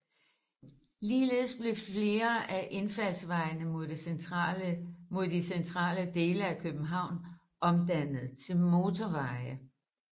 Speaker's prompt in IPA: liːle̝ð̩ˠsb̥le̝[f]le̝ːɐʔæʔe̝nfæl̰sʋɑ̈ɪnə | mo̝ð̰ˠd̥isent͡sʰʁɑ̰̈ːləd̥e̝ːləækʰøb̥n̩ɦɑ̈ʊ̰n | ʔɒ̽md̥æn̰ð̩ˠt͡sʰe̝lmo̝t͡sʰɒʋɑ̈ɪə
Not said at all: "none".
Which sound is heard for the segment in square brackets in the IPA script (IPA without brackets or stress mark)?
f